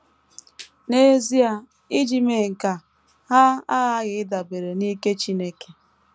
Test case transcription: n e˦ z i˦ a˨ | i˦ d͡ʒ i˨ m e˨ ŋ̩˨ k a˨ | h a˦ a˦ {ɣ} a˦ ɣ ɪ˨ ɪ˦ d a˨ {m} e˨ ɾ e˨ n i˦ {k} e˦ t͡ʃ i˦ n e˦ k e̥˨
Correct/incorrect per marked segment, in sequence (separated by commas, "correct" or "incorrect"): correct, incorrect, correct